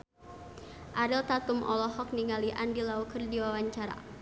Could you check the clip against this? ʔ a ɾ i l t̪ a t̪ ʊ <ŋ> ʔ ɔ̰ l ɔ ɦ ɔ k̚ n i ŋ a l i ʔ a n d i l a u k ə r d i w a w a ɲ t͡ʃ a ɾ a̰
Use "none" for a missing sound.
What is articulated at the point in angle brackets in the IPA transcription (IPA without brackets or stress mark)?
m